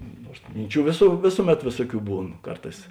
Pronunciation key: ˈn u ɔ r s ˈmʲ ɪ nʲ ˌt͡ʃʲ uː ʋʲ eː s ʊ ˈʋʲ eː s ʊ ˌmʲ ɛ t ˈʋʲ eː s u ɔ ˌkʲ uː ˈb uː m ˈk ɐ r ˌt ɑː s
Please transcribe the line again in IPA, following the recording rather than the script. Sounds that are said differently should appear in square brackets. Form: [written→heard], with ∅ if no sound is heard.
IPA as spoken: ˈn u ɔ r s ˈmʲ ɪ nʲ ˌt͡ʃʲ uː ʋʲ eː s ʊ ˈʋʲ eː s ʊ ˌmʲ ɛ t ˈʋʲ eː s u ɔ ˌkʲ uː ˈb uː [m→n] ˈk ɐ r ˌt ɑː s